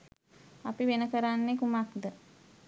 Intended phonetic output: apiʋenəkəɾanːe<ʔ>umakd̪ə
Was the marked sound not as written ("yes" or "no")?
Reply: yes